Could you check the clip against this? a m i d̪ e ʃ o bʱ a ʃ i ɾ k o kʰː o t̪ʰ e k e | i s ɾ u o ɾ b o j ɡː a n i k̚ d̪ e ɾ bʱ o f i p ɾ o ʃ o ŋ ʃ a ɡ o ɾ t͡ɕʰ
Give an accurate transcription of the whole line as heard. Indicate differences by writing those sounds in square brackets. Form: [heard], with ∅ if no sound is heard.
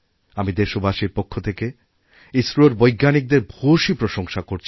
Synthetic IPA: a m i d̪ e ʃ o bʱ a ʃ i ɾ [p] o kʰː o t̪ʰ e k e | i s ɾ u o ɾ b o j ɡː a n i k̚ d̪ e ɾ bʱ o [ʃ] i p ɾ o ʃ o ŋ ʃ a [k] o ɾ t͡ɕʰ